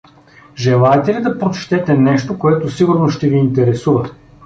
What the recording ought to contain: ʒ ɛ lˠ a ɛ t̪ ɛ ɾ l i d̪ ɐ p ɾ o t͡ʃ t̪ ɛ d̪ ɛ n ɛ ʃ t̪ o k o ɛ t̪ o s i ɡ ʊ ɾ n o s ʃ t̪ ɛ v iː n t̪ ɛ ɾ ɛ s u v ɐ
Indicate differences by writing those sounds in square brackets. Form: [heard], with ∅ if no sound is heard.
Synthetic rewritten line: ʒ ɛ lˠ a ɛ t̪ ɛ [∅] l i d̪ ɐ p ɾ o t͡ʃ t̪ ɛ [t̪] ɛ n ɛ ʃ t̪ o k o ɛ t̪ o s i ɡ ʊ ɾ n o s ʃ t̪ ɛ v iː n t̪ ɛ ɾ ɛ s u v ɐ